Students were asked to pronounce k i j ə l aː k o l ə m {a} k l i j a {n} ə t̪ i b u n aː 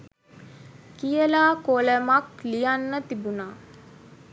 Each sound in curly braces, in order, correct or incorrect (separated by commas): correct, incorrect